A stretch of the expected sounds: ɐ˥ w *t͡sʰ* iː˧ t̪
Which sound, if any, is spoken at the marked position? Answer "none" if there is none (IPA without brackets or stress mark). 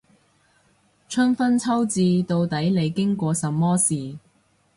t͡s